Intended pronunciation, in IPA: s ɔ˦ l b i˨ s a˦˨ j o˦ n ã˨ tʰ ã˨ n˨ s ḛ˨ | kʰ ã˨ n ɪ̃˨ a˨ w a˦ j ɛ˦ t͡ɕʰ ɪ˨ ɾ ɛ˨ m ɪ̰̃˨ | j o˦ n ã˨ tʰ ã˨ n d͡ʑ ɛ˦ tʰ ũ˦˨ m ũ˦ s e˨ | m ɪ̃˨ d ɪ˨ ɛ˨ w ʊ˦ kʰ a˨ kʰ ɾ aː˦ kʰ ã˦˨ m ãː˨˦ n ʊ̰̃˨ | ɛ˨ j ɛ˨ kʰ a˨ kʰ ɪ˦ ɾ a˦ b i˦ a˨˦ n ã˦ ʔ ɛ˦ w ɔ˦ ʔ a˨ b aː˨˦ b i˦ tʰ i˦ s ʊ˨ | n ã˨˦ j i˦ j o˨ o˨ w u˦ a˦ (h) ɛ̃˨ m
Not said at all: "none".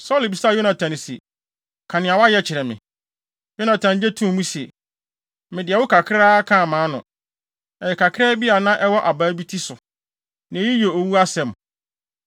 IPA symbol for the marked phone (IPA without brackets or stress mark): s